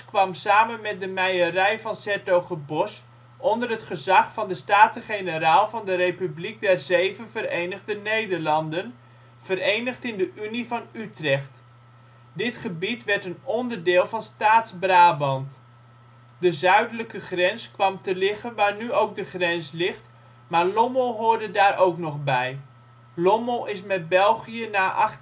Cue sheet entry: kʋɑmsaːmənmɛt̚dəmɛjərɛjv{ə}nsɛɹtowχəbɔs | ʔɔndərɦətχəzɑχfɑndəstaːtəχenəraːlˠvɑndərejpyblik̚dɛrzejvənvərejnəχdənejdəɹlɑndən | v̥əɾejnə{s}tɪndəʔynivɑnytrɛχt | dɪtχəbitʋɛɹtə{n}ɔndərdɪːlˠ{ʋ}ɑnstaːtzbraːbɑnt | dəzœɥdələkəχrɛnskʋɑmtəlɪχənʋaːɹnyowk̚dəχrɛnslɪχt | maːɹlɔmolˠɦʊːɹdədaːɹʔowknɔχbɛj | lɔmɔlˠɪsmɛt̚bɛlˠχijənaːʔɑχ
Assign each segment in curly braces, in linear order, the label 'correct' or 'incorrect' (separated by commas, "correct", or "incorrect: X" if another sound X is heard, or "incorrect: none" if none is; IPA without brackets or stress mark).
incorrect: ɑ, incorrect: χ, correct, incorrect: v